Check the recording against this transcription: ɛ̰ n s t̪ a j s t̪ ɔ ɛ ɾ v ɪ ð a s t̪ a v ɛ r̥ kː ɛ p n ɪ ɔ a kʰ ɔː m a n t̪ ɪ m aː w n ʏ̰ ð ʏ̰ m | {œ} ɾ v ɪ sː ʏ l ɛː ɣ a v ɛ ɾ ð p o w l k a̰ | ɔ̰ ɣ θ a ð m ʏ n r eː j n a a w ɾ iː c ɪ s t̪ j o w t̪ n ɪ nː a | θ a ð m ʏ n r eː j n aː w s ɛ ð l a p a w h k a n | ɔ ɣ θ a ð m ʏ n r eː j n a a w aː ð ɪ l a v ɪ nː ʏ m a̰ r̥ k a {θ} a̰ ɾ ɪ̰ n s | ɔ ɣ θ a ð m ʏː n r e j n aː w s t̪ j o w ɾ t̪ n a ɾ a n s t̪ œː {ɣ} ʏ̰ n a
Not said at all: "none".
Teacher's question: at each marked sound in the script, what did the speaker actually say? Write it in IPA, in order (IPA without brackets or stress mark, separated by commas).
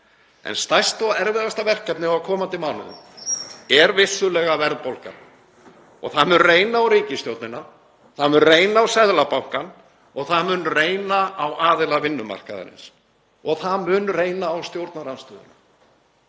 ɛ, ð, ð